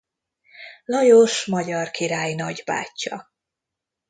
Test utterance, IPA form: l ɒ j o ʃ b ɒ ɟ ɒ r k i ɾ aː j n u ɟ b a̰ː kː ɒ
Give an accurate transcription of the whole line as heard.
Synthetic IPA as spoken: l ɒ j o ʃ m ɒ ɟ ɒ r k i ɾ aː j n ɒ ɟ b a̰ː cː ɒ